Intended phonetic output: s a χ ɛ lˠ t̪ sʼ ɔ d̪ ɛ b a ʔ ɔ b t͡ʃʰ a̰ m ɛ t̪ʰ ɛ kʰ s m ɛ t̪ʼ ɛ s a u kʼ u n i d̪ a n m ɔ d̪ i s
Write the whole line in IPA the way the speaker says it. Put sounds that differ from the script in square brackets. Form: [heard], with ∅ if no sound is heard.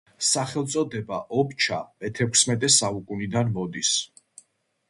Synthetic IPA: s a χ ɛ lˠ t̪ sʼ ɔ d̪ ɛ b a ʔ ɔ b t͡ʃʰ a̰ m ɛ t̪ʰ ɛ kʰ s m ɛ t̪ʼ ɛ s a u kʼ u n i d̪ a n m ɔ d̪ i s